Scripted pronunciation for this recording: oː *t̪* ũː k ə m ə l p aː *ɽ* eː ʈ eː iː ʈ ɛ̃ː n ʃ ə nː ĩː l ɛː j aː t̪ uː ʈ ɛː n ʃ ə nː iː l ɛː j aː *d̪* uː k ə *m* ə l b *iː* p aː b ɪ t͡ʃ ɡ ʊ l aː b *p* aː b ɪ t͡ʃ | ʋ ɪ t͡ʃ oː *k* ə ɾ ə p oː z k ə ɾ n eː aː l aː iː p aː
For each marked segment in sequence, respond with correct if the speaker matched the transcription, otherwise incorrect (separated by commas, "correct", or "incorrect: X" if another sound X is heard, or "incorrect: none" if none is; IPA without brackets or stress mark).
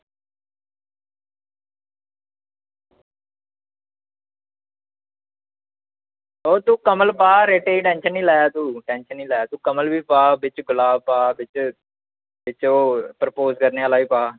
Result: correct, incorrect: ɾ, incorrect: t̪, correct, correct, correct, incorrect: p